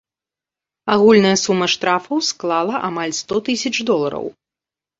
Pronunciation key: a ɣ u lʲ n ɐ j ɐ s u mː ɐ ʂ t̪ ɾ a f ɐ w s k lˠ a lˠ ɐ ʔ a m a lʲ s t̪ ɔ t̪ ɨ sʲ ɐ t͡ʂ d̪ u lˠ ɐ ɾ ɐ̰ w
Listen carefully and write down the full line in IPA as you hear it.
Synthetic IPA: a ɣ u lʲ n ɐ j ɐ s u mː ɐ ʂ t̪ ɾ a f ɐ w s k lˠ a lˠ ɐ ʔ a m a lʲ s t̪ ɔ t̪ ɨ sʲ ɐ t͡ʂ d̪ ɔ lˠ ɐ ɾ ɐ̰ w